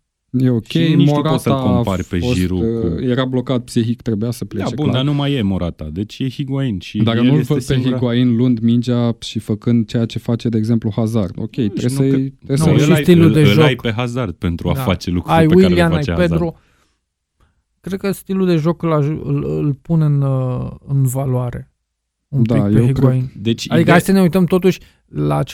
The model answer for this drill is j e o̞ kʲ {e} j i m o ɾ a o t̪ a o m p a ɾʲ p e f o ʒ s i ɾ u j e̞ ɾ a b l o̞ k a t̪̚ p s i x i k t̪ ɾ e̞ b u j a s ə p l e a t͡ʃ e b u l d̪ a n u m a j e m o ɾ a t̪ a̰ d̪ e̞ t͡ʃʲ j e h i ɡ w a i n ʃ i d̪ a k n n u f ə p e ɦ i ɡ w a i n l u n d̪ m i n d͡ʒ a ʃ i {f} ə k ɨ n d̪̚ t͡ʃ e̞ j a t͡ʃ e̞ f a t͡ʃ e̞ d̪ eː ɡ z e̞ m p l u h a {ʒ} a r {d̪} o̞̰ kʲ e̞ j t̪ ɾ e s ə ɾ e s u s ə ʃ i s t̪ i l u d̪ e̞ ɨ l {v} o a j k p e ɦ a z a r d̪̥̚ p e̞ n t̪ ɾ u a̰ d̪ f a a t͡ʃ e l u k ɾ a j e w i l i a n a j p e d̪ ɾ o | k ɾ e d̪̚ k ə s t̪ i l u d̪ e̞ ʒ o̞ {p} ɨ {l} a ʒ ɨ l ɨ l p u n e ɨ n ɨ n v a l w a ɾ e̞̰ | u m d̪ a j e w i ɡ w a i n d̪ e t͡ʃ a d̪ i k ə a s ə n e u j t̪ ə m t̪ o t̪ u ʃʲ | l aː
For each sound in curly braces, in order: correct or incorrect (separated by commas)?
correct, correct, incorrect, correct, incorrect, incorrect, correct